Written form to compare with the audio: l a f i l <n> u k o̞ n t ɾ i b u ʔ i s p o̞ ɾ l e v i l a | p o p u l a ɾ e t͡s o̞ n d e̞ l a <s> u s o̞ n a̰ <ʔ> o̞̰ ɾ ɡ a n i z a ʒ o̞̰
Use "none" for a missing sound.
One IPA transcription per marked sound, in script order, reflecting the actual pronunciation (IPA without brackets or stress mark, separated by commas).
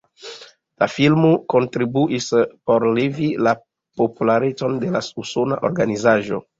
m, s, ʔ